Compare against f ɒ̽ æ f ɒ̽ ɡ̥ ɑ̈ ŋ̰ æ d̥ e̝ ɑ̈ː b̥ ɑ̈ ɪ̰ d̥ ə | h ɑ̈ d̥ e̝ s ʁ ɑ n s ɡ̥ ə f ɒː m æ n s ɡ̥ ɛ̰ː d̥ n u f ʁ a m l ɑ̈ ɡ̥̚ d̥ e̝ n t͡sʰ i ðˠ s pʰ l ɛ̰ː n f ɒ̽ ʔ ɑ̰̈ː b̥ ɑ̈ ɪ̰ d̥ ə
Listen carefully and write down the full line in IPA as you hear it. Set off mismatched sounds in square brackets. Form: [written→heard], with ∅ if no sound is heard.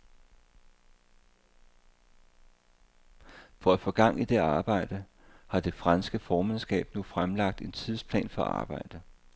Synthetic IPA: f ɒ̽ æ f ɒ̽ ɡ̥ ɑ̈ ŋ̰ [æ→i] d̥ e̝ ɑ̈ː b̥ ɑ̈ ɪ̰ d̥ ə | h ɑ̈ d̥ e̝ [s→f] ʁ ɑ n s ɡ̥ ə f ɒː m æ n s ɡ̥ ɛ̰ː [d̥→b̥] n u f ʁ a m l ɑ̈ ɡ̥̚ d̥ e̝ n t͡sʰ i ðˠ s pʰ l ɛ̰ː n f ɒ̽ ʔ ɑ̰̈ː b̥ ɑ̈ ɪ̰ d̥ ə